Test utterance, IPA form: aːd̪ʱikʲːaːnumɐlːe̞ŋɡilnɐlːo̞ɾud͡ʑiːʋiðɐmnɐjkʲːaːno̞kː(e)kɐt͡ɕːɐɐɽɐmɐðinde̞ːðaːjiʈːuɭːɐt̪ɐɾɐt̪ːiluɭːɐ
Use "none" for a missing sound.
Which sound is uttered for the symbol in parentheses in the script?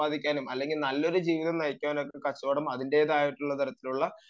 e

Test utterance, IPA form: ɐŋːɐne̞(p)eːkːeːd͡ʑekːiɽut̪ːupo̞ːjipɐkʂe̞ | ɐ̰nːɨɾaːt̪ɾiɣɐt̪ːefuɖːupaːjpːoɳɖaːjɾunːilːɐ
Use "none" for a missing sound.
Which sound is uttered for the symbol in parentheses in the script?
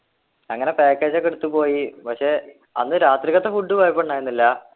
p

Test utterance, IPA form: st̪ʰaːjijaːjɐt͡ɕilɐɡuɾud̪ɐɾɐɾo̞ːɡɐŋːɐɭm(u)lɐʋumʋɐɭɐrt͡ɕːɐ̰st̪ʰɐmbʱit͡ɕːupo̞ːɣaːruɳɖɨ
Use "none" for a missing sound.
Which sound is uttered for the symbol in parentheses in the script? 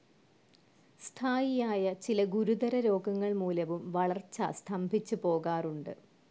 uː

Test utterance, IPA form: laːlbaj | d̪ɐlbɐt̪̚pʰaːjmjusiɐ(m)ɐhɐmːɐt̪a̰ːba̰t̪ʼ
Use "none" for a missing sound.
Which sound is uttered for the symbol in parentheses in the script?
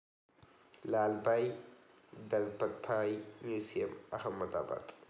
m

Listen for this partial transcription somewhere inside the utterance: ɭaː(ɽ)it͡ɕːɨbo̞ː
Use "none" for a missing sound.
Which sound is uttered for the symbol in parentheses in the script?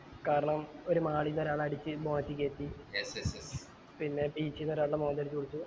ɽ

